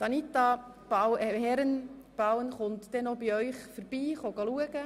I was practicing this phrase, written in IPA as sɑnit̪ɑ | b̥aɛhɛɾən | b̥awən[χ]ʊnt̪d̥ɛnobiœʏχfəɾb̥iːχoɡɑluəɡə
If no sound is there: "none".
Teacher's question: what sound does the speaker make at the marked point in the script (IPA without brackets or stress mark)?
χ